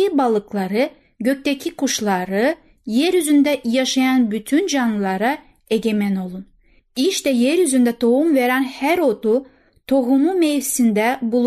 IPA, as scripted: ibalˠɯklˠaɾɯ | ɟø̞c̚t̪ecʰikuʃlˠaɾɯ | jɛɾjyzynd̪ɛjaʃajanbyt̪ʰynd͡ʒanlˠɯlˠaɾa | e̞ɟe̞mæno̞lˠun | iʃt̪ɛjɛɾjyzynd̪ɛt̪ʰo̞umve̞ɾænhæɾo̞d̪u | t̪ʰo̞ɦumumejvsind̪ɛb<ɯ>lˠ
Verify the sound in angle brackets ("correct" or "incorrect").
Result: incorrect